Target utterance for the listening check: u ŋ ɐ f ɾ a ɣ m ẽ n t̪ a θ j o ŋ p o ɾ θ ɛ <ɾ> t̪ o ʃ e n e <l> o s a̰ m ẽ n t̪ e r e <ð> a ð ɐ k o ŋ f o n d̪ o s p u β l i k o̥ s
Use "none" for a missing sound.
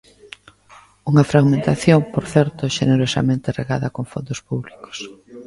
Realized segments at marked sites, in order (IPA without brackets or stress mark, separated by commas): ɾ, ɾ, ɣ